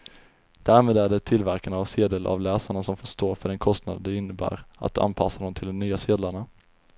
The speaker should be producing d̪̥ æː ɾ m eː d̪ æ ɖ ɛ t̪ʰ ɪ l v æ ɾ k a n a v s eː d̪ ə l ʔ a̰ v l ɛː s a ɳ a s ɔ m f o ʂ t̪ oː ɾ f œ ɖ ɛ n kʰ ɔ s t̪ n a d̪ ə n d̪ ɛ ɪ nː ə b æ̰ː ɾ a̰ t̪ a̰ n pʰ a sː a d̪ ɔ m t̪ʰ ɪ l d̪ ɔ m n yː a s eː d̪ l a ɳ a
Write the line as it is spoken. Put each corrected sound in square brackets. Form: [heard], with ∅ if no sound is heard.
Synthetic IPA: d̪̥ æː ɾ m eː d̪ æ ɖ ɛ t̪ʰ ɪ l v æ ɾ k a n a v s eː d̪ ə l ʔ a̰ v l ɛː s a ɳ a s ɔ m f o ʂ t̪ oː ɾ f œ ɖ ɛ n kʰ ɔ s t̪ n a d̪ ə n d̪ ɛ ɪ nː ə b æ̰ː ɾ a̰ t̪ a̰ n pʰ a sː a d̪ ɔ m t̪ʰ ɪ l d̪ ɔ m n yː a s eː d̪ l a ɳ a